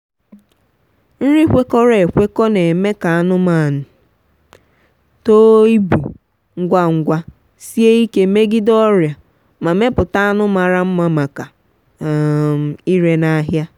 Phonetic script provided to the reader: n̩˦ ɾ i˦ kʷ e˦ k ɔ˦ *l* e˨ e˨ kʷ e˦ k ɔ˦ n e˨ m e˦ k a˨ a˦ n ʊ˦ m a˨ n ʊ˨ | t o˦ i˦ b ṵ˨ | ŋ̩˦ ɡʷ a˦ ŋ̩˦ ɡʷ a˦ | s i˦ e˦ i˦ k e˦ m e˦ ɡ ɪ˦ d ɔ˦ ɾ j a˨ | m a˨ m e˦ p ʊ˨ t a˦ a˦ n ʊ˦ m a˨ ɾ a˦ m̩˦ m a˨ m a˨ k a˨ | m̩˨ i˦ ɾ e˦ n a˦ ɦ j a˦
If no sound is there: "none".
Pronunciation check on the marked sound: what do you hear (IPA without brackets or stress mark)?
ɾ